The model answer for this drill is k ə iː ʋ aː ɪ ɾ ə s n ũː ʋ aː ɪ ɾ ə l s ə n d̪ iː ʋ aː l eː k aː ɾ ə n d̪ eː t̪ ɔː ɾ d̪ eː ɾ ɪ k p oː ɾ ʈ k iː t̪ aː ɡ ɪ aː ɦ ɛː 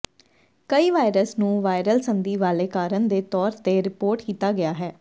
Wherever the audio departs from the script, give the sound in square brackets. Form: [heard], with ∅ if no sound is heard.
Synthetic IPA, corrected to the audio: k ə iː ʋ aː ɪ ɾ ə s n ũː ʋ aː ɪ ɾ ə l s ə n d̪ iː ʋ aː l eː k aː ɾ ə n d̪ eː t̪ ɔː ɾ [t̪] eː ɾ ɪ [∅] p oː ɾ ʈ k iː t̪ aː ɡ ɪ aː ɦ ɛː